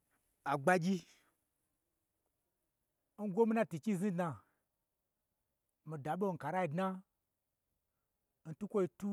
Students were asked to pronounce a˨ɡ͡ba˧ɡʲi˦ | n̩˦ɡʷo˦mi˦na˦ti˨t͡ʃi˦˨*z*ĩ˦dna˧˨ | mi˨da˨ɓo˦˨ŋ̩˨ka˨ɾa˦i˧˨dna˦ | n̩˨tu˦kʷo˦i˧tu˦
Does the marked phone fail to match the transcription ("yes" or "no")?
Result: no